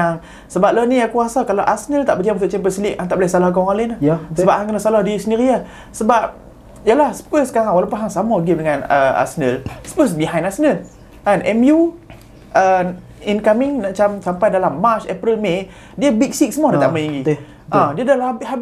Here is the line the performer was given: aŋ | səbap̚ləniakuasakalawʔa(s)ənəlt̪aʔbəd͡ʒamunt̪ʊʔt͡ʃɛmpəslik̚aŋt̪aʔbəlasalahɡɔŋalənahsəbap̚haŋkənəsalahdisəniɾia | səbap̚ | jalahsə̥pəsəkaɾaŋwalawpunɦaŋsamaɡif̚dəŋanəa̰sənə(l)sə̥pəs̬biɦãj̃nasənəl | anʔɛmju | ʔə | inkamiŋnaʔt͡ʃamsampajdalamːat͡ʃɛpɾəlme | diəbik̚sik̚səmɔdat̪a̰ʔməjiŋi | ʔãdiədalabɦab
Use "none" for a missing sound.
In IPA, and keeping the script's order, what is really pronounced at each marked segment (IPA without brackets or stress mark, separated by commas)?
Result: s, l